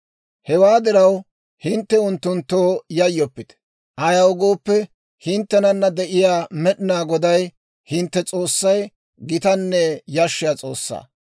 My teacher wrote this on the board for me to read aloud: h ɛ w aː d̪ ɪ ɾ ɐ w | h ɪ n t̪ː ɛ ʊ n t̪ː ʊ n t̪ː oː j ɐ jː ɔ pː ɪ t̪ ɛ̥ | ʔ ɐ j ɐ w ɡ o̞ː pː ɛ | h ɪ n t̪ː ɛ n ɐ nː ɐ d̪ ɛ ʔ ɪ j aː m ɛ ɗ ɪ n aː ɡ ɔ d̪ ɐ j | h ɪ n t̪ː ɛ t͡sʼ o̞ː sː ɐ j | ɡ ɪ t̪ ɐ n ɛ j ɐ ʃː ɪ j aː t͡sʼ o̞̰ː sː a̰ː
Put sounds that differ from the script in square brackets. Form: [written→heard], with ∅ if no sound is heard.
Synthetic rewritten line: h ɛ w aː d̪ ɪ ɾ ɐ w | h ɪ n t̪ː ɛ ʊ n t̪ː ʊ n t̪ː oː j ɐ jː ɔ pː ɪ t̪ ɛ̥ | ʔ ɐ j ɐ w ɡ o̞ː pː ɛ | h ɪ n t̪ː ɛ n ɐ nː ɐ d̪ ɛ ʔ ɪ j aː m ɛ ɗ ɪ n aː ɡ ɔ d̪ ɐ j | h ɪ n t̪ː ɛ t͡sʼ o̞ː sː ɐ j | ɡ ɪ t̪ ɐ [n→nː] ɛ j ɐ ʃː ɪ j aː t͡sʼ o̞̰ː sː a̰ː

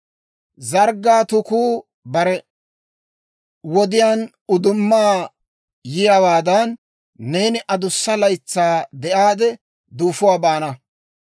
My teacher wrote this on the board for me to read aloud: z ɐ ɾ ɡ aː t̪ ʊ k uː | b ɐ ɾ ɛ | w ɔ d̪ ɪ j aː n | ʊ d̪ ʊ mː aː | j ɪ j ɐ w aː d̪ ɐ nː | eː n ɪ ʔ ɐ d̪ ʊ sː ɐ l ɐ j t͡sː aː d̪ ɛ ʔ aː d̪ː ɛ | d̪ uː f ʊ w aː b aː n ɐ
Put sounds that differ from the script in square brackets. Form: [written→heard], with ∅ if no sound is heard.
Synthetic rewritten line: z ɐ ɾ ɡ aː t̪ ʊ k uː | b ɐ ɾ ɛ | w ɔ d̪ ɪ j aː n | ʊ d̪ ʊ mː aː | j ɪ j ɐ w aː d̪ ɐ nː | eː n ɪ ʔ ɐ d̪ ʊ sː ɐ l ɐ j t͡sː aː d̪ ɛ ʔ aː [d̪ː→d̪] ɛ | d̪ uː f ʊ w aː b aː n ɐ

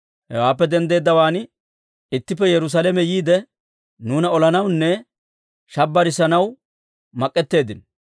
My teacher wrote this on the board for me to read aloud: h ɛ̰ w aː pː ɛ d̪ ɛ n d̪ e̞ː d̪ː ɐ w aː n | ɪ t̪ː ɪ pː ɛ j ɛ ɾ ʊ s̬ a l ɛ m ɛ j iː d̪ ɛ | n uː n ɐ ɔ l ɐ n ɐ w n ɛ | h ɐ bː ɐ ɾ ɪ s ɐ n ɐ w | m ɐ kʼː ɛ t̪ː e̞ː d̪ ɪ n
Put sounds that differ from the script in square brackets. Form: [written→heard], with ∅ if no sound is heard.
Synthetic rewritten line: h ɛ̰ w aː pː ɛ d̪ ɛ n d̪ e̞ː d̪ː ɐ w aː n | ɪ t̪ː ɪ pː ɛ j ɛ ɾ ʊ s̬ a l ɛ m ɛ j iː d̪ ɛ | n uː n ɐ ɔ l ɐ n ɐ w [n→nː] ɛ | [h→ʃ] ɐ bː ɐ ɾ ɪ s ɐ n ɐ w | m ɐ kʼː ɛ t̪ː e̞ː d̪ ɪ n

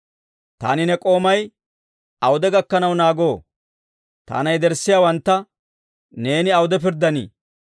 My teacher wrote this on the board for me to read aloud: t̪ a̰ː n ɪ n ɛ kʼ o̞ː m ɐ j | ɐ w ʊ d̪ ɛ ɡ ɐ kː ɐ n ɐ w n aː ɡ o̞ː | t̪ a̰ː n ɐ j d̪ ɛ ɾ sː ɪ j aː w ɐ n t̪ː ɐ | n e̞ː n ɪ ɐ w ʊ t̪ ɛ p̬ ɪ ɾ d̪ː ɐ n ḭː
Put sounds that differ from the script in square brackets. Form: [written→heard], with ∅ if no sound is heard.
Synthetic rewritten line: t̪ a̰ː n ɪ n ɛ kʼ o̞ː m ɐ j | ɐ w ʊ d̪ ɛ ɡ ɐ kː ɐ n ɐ w n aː ɡ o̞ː | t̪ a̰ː n ɐ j d̪ ɛ ɾ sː ɪ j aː w ɐ n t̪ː ɐ | n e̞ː n ɪ ɐ w ʊ [t̪→d̪] ɛ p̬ ɪ ɾ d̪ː ɐ n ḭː

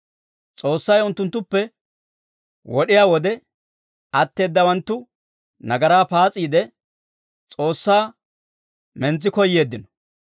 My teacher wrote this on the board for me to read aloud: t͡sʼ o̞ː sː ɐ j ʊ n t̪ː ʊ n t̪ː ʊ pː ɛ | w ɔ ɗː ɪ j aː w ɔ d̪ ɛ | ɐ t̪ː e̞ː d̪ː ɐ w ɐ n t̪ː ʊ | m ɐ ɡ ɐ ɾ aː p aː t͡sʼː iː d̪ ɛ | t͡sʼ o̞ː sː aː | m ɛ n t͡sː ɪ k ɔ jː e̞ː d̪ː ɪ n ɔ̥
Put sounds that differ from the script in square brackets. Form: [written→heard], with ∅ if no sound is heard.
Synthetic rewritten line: t͡sʼ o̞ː sː ɐ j ʊ n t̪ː ʊ n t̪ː ʊ pː ɛ | w ɔ [ɗː→ɗ] ɪ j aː w ɔ d̪ ɛ | ɐ t̪ː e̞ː d̪ː ɐ w ɐ n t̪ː ʊ | [m→n] ɐ ɡ ɐ ɾ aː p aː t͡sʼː iː d̪ ɛ | t͡sʼ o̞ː sː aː | m ɛ n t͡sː ɪ k ɔ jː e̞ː d̪ː ɪ n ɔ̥

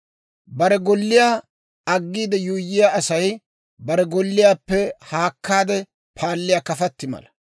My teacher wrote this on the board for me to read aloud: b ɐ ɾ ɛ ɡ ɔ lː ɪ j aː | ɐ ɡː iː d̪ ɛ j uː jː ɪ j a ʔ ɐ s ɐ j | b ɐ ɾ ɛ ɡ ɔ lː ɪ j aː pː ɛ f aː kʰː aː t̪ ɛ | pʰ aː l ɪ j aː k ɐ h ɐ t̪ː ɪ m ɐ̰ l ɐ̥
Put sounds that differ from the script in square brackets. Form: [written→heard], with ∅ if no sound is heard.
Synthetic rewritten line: b ɐ ɾ ɛ ɡ ɔ lː ɪ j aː | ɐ ɡː iː d̪ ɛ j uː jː ɪ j a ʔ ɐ s ɐ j | b ɐ ɾ ɛ ɡ ɔ lː ɪ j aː pː ɛ [f→h] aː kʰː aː [t̪→d̪] ɛ | pʰ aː [l→lː] ɪ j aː k ɐ [h→f] ɐ t̪ː ɪ m ɐ̰ l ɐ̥

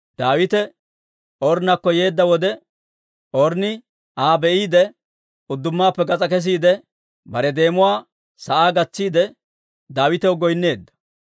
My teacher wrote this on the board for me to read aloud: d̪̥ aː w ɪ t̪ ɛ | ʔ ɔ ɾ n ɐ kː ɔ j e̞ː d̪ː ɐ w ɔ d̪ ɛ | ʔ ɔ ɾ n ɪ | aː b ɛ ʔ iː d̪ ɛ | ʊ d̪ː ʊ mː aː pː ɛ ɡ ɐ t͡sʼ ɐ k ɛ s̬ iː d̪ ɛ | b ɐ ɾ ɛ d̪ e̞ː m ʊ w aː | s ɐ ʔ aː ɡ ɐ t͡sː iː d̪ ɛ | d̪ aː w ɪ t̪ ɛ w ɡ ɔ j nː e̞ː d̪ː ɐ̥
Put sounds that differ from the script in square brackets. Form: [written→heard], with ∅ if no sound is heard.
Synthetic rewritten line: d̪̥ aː w ɪ t̪ ɛ | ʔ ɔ ɾ n ɐ kː ɔ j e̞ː d̪ː ɐ w ɔ d̪ ɛ | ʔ ɔ ɾ n ɪ | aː b ɛ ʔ iː d̪ ɛ | ʊ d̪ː ʊ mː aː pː ɛ ɡ ɐ t͡sʼ ɐ k ɛ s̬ iː d̪ ɛ | b ɐ ɾ ɛ d̪ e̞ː m ʊ w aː | s ɐ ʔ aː ɡ ɐ t͡sː iː d̪ ɛ | d̪ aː w ɪ t̪ ɛ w ɡ ɔ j nː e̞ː d̪ː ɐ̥

